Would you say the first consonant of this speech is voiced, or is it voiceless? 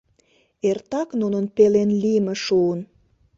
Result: voiced